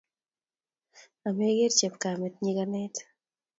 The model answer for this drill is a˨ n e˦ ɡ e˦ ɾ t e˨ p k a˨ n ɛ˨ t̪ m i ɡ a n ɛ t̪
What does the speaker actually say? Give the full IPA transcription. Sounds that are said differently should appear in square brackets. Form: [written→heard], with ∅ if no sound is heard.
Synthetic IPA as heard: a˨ [n→m] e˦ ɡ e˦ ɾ [t→t͡ʃ] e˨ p k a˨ [n→m] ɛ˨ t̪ [m→ɲ] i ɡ a n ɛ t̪